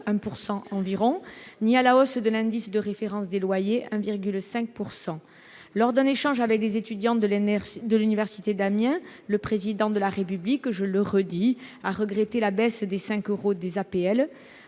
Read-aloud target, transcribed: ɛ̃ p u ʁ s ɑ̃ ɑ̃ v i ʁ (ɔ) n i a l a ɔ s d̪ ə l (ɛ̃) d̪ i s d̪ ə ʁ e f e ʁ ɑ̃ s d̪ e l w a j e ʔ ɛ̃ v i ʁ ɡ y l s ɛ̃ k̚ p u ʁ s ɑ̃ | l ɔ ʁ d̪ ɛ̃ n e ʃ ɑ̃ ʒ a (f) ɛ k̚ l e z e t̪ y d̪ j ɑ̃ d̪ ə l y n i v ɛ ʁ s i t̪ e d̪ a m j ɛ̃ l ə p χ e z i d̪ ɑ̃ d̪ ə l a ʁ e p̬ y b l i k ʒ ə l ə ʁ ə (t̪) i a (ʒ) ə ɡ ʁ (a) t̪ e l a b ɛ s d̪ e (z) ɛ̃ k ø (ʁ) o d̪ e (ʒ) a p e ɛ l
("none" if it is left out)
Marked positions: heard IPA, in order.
ɔ̃, ɛ̃, v, d̪, ʁ, e, s, ʁ, z

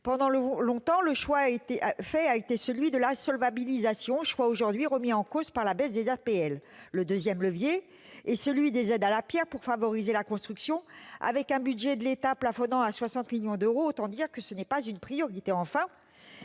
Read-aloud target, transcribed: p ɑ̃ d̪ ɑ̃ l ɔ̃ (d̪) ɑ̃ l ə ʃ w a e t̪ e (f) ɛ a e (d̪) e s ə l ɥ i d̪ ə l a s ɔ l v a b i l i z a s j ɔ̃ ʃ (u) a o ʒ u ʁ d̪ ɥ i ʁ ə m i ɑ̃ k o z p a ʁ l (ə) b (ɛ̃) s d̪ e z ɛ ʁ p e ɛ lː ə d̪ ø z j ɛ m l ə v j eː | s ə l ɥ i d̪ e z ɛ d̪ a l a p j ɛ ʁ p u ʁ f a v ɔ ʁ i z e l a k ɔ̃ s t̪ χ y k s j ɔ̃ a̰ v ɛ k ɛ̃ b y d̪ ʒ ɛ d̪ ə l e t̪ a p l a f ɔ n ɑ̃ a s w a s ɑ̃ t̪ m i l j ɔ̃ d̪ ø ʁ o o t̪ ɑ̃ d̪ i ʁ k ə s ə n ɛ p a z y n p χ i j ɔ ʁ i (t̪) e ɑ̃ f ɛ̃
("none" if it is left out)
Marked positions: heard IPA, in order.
t̪, f, t̪, w, a, ɛ, t̪

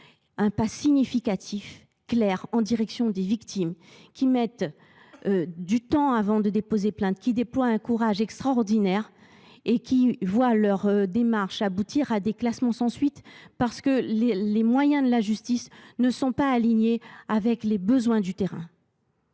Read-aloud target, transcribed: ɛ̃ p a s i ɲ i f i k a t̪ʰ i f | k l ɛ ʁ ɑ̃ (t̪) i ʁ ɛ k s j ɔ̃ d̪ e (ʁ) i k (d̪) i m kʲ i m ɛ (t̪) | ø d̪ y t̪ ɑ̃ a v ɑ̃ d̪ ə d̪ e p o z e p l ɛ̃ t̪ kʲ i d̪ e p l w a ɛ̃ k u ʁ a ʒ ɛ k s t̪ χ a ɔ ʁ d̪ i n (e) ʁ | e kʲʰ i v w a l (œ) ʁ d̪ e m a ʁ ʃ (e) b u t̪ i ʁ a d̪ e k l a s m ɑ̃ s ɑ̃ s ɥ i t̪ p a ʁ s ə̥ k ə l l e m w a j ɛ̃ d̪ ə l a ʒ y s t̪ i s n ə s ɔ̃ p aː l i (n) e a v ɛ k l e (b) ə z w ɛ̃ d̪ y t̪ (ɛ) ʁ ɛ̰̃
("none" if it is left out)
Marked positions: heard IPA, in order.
d̪, v, t̪, t̪, ɛ, œ, a, ɲ, b, e

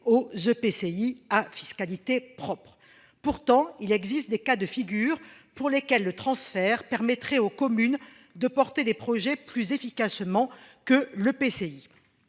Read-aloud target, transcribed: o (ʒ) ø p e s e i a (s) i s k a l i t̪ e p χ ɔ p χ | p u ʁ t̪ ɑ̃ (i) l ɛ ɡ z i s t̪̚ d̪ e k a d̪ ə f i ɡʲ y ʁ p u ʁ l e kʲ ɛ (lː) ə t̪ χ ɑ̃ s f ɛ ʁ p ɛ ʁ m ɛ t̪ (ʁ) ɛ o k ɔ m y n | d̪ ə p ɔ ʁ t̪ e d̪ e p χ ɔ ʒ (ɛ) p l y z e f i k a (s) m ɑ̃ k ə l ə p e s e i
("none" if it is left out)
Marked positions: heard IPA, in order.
z, f, i, lː, χ, ɛ, s

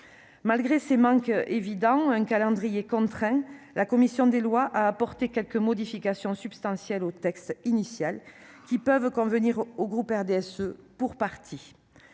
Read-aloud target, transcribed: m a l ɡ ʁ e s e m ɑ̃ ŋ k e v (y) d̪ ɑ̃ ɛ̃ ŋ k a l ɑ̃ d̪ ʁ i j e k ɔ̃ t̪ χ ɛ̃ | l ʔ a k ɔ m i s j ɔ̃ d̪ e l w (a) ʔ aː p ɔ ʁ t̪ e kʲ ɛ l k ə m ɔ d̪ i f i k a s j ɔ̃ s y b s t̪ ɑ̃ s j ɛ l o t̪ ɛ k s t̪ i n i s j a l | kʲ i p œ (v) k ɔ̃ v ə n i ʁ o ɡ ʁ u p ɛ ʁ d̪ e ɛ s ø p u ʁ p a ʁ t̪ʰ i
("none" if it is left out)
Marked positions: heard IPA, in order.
i, a, v

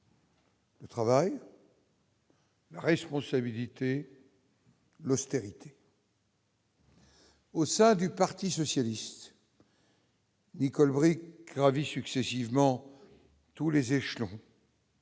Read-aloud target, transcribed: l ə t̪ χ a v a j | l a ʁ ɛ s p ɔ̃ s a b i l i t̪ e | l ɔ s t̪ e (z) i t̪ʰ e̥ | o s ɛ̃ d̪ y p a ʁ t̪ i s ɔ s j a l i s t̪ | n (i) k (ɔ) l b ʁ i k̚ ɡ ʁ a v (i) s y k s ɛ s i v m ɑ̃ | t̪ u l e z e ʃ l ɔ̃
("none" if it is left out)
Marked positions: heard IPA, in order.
ʁ, i, ɔ, i

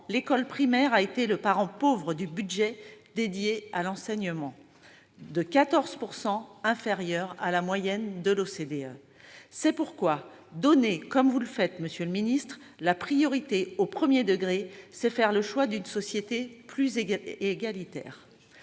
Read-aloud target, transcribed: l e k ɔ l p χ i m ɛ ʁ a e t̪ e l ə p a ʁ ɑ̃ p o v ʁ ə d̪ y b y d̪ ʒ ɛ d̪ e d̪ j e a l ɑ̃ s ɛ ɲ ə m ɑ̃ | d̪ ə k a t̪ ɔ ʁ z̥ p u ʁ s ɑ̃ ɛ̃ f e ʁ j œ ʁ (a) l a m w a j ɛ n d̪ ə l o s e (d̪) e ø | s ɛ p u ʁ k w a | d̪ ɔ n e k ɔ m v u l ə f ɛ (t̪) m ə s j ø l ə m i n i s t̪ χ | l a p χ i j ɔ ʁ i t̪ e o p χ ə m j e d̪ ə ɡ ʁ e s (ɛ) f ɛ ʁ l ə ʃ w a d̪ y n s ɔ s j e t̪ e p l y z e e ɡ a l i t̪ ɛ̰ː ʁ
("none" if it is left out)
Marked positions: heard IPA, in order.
a, d̪, t̪, ɛ

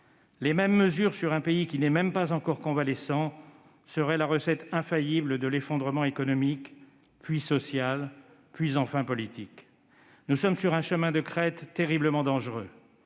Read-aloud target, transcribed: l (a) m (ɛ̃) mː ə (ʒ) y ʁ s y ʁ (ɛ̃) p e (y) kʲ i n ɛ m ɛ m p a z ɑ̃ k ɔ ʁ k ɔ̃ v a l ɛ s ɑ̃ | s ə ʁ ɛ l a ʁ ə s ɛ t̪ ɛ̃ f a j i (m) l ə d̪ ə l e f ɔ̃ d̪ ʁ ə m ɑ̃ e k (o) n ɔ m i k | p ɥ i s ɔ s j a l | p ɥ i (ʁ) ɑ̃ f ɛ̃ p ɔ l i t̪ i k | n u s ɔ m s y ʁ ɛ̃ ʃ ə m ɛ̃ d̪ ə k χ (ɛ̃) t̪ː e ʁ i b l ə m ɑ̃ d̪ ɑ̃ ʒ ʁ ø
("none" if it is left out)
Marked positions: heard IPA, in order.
e, ɛ, z, ɛ̃, i, b, ɔ, z, ɛ

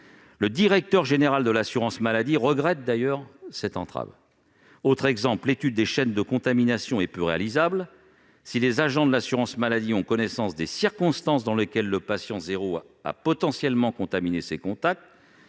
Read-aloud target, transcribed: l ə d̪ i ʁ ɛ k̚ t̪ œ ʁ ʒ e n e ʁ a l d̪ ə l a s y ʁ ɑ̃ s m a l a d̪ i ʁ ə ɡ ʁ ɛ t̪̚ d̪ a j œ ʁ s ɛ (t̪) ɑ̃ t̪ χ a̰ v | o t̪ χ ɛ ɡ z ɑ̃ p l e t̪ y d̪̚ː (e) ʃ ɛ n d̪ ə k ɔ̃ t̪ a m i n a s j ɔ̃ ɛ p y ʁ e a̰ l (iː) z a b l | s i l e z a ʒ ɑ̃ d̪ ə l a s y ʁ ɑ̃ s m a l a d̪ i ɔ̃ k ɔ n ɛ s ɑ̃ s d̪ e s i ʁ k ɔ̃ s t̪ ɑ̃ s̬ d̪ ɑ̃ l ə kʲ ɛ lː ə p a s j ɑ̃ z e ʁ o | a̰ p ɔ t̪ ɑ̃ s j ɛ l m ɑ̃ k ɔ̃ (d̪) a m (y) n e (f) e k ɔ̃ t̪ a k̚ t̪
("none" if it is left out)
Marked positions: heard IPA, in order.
t̪, e, i, t̪, i, s

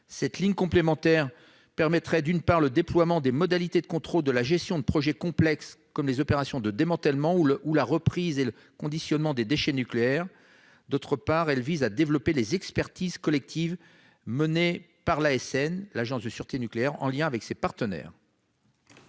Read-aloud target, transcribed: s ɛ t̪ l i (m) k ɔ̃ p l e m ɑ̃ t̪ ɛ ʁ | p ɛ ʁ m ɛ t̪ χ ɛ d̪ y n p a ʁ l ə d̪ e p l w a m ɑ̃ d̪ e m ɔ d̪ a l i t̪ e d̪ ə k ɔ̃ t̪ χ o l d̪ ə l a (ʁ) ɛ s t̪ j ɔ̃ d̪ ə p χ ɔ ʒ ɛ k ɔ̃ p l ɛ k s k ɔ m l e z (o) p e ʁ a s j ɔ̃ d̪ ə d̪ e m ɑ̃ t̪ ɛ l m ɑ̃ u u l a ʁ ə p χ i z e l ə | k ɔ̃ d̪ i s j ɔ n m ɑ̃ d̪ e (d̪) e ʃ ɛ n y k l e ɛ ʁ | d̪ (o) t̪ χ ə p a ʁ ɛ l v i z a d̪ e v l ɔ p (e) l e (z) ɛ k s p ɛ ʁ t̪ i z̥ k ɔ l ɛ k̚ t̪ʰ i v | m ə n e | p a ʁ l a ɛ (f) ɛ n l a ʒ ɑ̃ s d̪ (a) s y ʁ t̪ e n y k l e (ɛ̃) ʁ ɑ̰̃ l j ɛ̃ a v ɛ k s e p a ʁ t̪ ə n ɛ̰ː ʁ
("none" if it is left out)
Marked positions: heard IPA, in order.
ɲ, ʒ, ɔ, d̪, o, e, z, s, ə, ɛ

